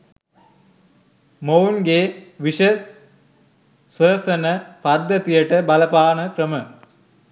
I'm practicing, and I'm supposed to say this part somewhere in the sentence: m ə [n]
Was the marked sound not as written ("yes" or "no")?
yes